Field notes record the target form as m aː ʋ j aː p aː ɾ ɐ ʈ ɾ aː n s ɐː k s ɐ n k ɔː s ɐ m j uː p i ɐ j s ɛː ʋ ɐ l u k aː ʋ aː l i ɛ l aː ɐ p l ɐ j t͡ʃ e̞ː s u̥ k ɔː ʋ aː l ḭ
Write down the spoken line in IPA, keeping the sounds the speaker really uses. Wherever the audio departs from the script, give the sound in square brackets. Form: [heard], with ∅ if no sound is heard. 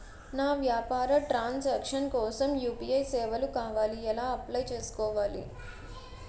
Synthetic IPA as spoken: [n] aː ʋ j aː p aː ɾ ɐ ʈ ɾ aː n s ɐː k [ʂ] ɐ n k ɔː s ɐ m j uː p i ɐ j s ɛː ʋ ɐ l u k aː ʋ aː l i ɛ l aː ɐ p l ɐ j t͡ʃ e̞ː s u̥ k ɔː ʋ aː l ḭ